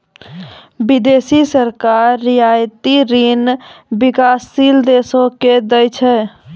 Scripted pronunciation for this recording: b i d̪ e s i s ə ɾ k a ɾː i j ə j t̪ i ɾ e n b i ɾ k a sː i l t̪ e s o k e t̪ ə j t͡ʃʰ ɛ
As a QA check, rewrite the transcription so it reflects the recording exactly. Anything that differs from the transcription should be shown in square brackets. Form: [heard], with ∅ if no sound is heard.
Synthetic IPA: b i d̪ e s i s ə ɾ k a ɾː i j [a] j t̪ i ɾ [i] n b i [∅] k a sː i l [d̪] e s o k e [d̪] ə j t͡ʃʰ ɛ